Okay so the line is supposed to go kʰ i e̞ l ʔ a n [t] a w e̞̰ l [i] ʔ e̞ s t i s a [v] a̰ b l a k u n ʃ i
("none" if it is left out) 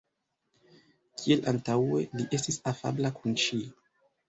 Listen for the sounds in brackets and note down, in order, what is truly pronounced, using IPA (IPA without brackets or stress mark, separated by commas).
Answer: t, i, f